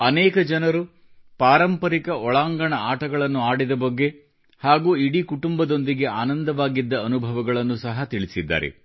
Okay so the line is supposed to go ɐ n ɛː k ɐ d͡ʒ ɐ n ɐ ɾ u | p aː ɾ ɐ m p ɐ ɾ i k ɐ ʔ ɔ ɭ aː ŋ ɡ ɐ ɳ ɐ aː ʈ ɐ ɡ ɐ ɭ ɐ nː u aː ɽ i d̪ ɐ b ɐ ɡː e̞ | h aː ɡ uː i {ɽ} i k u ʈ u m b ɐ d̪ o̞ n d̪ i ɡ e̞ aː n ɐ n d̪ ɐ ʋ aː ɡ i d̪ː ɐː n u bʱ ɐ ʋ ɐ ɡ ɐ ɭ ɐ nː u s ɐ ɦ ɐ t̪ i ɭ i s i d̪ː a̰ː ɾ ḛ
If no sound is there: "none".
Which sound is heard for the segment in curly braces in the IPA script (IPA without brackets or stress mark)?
ɽ